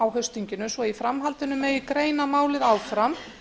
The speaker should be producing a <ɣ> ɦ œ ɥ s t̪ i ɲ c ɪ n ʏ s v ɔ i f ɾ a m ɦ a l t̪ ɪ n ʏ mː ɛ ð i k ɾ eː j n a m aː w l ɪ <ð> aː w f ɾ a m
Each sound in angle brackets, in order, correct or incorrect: incorrect, correct

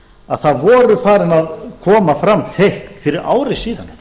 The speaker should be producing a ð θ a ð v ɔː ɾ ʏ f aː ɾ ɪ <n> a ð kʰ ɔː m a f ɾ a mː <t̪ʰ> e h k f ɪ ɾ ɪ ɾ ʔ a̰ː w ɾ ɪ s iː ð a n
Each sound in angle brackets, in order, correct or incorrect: correct, correct

